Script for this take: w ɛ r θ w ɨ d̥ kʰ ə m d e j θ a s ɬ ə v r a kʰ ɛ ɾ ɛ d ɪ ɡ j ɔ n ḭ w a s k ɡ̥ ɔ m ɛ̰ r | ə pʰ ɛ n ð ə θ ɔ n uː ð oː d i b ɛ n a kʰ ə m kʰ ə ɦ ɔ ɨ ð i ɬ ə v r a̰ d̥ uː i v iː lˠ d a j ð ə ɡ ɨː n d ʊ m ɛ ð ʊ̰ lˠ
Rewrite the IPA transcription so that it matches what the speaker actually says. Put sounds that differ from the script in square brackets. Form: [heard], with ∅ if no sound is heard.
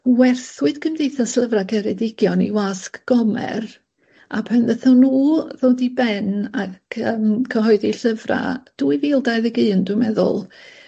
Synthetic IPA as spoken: w ɛ r θ w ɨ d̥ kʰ ə m d e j θ a s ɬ ə v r a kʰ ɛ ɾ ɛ d ɪ ɡ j ɔ n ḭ w a s k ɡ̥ ɔ m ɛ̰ r | [a] pʰ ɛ n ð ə θ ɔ n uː ð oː d i b ɛ n a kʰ ə m kʰ ə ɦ ɔ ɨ ð i ɬ ə v r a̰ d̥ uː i v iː lˠ d a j ð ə ɡ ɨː n d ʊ m ɛ ð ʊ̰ lˠ